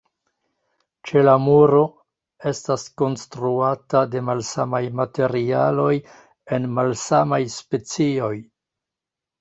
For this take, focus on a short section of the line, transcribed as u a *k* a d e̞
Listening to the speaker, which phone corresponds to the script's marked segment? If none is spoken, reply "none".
t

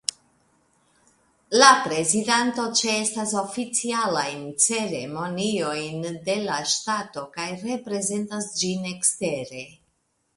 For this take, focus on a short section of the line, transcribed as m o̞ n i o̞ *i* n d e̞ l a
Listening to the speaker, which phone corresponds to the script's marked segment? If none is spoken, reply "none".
j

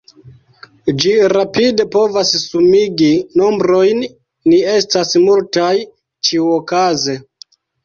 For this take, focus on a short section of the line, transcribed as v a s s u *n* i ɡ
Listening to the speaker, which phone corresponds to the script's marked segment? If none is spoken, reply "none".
m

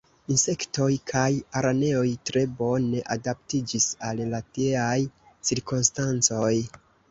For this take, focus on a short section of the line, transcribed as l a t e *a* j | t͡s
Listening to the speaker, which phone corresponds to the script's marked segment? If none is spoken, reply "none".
a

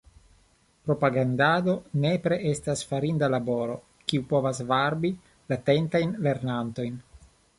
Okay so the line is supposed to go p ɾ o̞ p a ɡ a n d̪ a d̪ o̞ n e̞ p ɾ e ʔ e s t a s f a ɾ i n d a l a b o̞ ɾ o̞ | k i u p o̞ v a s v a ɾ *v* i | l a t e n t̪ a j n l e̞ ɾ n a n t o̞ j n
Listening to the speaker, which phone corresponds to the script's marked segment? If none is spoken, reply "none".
b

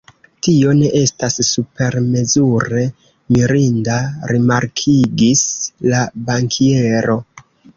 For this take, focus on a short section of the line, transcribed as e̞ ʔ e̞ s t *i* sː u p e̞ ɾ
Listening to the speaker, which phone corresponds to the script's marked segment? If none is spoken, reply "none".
a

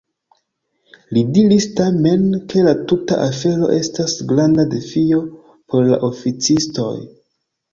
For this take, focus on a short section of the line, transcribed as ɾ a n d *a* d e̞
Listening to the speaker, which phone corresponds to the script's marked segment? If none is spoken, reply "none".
a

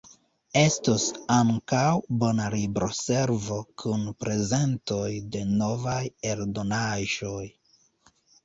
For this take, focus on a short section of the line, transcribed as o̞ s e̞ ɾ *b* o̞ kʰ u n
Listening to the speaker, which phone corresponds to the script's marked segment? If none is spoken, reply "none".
v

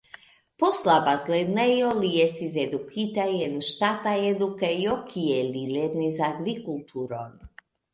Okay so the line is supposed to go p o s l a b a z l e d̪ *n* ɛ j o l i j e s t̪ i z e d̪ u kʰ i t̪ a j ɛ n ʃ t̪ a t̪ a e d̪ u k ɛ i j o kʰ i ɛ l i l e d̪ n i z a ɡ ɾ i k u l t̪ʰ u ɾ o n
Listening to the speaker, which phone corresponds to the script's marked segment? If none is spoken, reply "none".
n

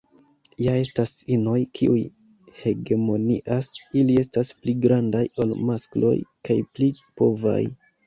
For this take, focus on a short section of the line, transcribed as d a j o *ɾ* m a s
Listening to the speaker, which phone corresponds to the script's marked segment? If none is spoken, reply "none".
l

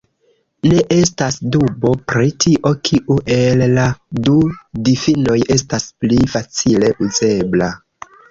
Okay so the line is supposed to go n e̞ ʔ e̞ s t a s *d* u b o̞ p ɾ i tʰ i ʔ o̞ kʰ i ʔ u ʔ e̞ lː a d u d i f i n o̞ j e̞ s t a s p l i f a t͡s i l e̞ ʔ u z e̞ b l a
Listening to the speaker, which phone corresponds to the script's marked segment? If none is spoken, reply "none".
d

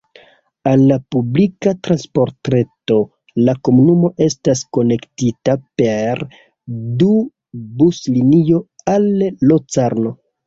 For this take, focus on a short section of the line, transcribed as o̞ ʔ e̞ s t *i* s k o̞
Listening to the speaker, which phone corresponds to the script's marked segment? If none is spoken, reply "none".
a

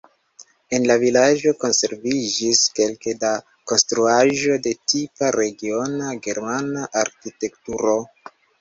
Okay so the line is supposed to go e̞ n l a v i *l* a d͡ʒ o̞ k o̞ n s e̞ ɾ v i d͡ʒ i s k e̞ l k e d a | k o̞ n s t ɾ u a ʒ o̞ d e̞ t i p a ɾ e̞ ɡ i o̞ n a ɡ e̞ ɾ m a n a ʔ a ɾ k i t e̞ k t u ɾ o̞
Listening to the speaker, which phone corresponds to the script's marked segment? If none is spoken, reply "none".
l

